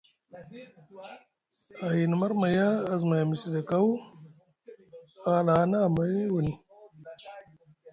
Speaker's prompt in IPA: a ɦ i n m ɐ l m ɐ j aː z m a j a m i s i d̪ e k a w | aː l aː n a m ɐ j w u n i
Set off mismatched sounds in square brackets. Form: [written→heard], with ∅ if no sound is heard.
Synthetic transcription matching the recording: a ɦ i n m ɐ [l→ɾ] m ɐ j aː z m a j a m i s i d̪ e k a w | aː l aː n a m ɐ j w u n i